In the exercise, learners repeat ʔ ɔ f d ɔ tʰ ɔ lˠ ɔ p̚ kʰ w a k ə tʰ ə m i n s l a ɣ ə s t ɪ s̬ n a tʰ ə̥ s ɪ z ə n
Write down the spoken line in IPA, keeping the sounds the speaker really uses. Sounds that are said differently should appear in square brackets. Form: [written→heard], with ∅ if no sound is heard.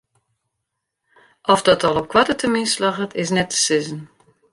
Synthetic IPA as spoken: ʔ ɔ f d ɔ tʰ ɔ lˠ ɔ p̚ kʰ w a [k→t] ə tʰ ə m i n s l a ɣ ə [s→∅] t ɪ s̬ n [a→ɛ] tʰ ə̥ s ɪ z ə n